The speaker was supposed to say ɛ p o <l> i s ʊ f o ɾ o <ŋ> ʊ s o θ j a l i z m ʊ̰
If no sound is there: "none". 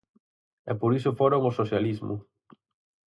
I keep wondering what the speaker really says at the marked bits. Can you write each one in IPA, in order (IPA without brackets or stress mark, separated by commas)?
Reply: ɾ, ŋ